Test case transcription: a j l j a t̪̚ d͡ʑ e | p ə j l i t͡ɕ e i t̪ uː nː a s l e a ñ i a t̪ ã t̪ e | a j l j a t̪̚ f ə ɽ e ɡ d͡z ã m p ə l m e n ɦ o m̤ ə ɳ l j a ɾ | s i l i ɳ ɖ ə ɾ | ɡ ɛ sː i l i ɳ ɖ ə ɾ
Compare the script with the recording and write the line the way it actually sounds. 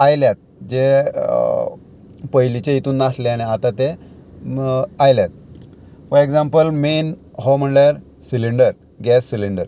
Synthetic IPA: a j l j a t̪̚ d͡ʑ e | p ə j l i t͡ɕ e i t̪ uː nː a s l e a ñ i a t̪ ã t̪ e | a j l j a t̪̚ f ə ɾ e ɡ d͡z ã m p ə l m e n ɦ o m̤ ə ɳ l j a ɾ | s i l i ɳ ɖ ə ɾ | ɡ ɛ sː i l i ɳ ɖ ə ɾ